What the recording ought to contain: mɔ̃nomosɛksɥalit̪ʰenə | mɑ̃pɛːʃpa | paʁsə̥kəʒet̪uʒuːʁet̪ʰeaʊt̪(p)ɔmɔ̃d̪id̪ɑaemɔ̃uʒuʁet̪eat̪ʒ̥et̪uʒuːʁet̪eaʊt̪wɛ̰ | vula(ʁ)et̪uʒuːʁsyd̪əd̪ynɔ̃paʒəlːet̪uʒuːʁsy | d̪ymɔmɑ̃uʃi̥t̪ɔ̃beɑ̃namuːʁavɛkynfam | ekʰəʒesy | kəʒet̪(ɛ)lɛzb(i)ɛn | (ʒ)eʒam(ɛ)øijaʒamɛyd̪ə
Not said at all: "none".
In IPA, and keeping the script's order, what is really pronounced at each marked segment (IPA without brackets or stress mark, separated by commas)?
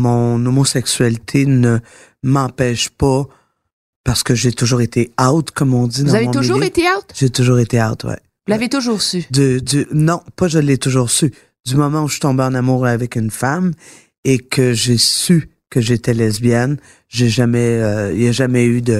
k, v, ɛ, j, ʒ, ɛ